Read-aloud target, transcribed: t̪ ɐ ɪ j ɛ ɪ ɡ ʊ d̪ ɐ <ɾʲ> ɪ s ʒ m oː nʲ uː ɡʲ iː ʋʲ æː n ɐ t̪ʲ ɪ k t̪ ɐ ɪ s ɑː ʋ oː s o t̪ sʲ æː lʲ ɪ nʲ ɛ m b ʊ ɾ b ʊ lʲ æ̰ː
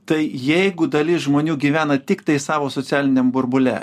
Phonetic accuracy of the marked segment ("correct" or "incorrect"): incorrect